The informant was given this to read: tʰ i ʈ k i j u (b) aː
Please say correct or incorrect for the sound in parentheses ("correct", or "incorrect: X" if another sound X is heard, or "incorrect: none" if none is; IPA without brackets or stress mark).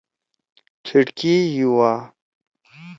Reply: incorrect: w